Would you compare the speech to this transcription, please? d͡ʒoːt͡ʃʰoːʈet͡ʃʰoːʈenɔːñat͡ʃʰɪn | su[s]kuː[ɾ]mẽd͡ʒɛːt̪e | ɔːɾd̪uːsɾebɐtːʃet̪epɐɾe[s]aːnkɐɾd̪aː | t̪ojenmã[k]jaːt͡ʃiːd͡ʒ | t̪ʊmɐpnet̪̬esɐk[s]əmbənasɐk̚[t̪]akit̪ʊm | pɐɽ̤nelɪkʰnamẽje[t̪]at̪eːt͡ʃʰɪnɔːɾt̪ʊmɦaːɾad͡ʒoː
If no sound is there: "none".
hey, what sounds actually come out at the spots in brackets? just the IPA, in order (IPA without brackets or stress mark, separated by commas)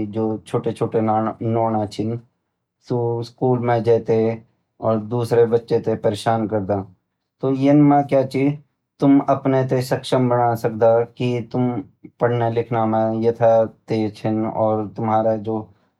s, l, ʃ, k, ʃ, d̪, t̪ʰ